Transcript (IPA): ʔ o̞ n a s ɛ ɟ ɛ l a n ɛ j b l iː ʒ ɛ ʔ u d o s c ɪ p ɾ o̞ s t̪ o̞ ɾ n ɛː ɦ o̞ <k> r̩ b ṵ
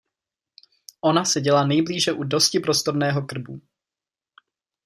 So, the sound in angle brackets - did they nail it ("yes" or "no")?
yes